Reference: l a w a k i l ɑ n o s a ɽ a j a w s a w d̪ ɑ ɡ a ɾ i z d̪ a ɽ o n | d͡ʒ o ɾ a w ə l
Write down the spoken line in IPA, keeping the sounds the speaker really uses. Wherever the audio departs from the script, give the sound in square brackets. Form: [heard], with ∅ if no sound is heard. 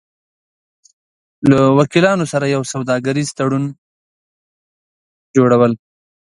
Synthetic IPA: l a w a k i l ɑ n o s a [ɾ] a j a w s a w d̪ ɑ ɡ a ɾ i z [t̪] a ɽ [u] n | d͡ʒ o [ɽ] a w ə l